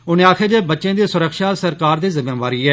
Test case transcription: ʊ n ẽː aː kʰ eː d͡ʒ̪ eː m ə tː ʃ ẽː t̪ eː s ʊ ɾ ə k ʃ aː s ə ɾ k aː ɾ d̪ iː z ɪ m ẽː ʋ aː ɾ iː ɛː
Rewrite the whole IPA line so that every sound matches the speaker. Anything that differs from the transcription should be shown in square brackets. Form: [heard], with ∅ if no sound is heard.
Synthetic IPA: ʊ n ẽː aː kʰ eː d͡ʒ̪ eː [b] ə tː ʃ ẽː [d̪] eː s ʊ ɾ ə k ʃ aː s ə ɾ k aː ɾ d̪ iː z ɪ m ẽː ʋ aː ɾ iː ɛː

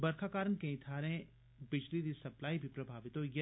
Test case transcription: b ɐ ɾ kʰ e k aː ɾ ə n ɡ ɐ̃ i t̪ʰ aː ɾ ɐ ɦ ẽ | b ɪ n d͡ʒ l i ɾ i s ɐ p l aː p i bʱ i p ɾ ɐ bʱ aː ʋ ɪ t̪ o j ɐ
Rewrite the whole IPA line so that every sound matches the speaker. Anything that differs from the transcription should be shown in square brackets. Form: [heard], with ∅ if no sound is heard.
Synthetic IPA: b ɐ ɾ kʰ [a] k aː ɾ ə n [k] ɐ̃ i t̪ʰ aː ɾ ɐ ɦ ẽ | b ɪ [∅] d͡ʒ l i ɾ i s ɐ p l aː [∅] i bʱ i p ɾ ɐ bʱ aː ʋ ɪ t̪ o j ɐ

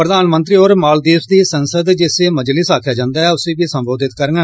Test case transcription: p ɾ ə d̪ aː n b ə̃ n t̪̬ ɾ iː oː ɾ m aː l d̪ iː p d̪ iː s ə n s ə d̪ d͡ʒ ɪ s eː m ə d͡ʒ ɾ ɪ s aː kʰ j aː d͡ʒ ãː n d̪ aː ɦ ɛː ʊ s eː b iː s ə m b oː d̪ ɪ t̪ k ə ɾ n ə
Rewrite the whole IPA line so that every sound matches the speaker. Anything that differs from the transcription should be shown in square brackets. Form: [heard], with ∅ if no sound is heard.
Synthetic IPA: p ɾ ə d̪ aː n [m] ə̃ n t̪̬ ɾ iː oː ɾ m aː l d̪ iː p d̪ iː s ə n s ə d̪ d͡ʒ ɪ s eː m ə d͡ʒ [l] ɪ s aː kʰ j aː d͡ʒ ãː n d̪ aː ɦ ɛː ʊ s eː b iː s ə m b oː d̪ ɪ t̪ k ə ɾ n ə

